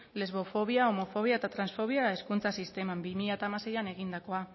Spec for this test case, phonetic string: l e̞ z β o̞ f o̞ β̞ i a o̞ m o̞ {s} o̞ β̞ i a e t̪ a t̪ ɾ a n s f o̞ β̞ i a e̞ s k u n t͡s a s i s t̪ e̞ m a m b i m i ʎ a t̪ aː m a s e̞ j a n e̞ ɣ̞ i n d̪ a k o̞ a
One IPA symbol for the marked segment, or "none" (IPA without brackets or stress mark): f